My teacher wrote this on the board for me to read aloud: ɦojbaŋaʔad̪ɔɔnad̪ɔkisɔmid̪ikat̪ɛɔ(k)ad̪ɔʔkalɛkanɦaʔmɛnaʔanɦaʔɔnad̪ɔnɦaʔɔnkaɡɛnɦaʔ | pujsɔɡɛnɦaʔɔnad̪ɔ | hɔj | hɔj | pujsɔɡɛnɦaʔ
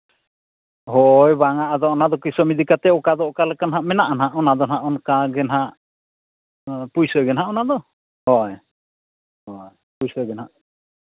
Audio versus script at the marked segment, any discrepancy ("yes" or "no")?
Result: no